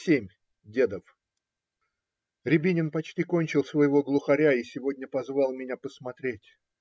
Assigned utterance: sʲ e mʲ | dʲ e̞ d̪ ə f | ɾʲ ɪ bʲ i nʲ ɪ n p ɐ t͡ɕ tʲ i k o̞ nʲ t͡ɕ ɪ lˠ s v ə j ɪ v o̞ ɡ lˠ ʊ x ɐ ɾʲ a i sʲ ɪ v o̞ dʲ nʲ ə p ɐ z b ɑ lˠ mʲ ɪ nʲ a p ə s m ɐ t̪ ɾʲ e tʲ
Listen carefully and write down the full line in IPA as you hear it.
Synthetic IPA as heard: sʲ e mʲ | dʲ e̞ d̪ ə f | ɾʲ ɪ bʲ i nʲ ɪ n p ɐ t͡ɕ tʲ i k o̞ nʲ t͡ɕ ɪ lˠ s v ə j ɪ v o̞ ɡ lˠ ʊ x ɐ ɾʲ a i sʲ ɪ v o̞ dʲ nʲ ə p ɐ z v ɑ lˠ mʲ ɪ nʲ a p ə s m ɐ t̪ ɾʲ e tʲ